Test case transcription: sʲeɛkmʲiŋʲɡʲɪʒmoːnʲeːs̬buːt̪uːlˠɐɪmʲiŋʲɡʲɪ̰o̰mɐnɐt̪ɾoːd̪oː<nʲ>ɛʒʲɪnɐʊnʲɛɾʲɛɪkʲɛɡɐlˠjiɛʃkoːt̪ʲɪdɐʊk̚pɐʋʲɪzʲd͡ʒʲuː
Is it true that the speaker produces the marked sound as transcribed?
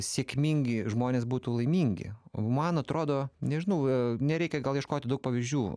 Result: yes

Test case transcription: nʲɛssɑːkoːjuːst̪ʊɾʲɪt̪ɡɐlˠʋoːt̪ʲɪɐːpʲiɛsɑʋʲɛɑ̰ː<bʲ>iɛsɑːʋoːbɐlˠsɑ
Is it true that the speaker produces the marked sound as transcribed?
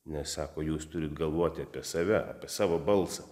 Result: no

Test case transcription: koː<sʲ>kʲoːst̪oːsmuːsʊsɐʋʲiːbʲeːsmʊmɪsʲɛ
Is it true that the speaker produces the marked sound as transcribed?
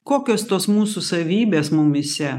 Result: no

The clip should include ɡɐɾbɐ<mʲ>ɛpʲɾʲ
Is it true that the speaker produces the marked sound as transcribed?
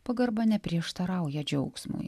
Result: no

